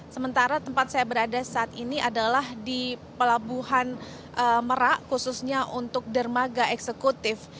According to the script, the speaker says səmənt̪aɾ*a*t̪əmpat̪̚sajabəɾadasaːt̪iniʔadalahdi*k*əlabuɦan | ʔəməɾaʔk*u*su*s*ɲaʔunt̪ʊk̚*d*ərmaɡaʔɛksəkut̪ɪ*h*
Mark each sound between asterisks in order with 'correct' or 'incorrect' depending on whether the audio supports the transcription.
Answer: correct, incorrect: p, correct, correct, correct, incorrect: f

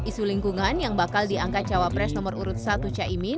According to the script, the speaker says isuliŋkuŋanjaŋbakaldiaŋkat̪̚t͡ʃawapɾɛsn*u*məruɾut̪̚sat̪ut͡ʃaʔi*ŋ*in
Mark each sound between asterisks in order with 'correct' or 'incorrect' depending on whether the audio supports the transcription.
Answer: incorrect: ɔ, incorrect: m

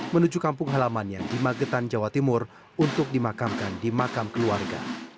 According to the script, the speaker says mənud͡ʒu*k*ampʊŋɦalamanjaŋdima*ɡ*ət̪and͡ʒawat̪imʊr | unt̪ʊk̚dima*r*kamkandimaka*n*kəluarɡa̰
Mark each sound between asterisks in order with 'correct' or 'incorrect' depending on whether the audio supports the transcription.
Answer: correct, correct, incorrect: none, incorrect: m

